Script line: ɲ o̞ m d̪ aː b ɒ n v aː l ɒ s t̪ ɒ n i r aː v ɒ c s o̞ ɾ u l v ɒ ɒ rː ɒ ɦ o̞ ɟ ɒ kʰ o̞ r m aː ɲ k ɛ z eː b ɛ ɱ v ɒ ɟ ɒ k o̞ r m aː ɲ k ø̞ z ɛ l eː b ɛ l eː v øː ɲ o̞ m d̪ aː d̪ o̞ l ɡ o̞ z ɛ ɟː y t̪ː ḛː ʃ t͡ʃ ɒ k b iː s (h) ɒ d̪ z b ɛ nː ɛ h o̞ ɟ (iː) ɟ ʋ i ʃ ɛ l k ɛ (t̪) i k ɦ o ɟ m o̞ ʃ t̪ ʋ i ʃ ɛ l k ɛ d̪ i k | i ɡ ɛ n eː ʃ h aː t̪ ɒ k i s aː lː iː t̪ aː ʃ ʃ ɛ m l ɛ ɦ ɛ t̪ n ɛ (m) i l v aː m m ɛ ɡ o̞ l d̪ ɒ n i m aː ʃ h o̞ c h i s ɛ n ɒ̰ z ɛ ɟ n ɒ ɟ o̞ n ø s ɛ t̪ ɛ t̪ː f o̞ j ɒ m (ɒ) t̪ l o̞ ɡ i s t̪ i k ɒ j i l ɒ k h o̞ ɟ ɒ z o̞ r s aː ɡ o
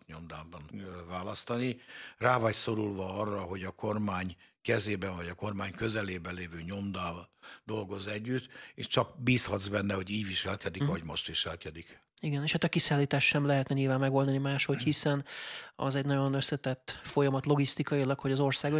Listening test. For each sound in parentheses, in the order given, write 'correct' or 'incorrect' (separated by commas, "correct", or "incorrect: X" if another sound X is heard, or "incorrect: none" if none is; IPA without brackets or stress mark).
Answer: correct, correct, incorrect: d̪, incorrect: ɲ, correct